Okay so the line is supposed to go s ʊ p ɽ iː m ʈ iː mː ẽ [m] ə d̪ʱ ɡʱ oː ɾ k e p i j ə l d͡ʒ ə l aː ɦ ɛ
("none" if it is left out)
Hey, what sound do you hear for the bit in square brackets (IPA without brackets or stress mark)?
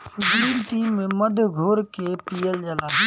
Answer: m